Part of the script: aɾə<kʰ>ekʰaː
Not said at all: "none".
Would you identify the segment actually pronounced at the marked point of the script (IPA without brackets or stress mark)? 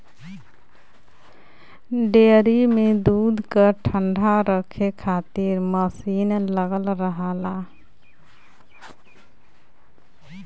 kʰ